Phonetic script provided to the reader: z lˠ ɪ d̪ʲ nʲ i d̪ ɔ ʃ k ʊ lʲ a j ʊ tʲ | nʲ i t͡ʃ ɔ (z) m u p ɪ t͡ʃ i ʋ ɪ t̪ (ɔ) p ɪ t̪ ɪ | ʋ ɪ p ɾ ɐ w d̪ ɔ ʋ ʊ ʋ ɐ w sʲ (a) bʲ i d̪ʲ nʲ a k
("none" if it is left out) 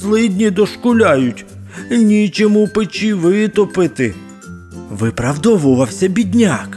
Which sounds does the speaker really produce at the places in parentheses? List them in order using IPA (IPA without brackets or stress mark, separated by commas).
none, ɔ, ɐ